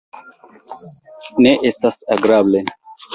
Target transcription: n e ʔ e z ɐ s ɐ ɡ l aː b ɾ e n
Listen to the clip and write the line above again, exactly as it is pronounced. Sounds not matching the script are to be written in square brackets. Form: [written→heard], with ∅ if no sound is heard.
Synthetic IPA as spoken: n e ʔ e [z→s] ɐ s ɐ ɡ [l→ɾ] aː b [ɾ→l] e n